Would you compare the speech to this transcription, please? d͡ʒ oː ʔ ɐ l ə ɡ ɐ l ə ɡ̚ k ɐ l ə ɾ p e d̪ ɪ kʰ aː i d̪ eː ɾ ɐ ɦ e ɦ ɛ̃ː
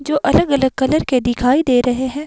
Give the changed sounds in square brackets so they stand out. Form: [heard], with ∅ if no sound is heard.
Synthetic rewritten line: d͡ʒ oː ʔ ɐ l ə ɡ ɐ l ə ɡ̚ k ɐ l ə ɾ [k] e d̪ ɪ kʰ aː i d̪ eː ɾ ɐ ɦ e ɦ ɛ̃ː